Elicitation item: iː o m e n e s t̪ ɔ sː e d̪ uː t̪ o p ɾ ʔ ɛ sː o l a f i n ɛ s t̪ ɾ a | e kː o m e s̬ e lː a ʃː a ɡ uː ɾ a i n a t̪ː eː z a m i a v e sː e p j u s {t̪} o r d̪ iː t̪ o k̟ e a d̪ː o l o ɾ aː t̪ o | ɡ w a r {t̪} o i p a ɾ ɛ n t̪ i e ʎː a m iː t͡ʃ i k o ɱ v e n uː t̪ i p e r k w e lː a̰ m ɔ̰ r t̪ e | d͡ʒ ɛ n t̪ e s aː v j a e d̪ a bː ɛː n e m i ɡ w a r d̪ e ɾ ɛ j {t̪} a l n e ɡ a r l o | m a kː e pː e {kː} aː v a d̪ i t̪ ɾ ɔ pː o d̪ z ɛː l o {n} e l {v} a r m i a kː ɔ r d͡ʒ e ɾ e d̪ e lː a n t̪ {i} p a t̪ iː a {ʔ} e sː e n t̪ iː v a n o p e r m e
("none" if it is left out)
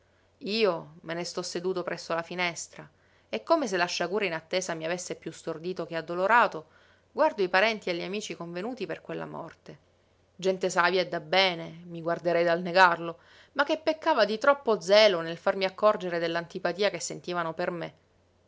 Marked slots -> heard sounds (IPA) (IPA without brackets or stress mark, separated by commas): t̪, d̪, d̪, kː, n, f, i, k